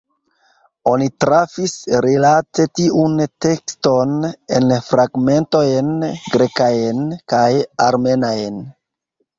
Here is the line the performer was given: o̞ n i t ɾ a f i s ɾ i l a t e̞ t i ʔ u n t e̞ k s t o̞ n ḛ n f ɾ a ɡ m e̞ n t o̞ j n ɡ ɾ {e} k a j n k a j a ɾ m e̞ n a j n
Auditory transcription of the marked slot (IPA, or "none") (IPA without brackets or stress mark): e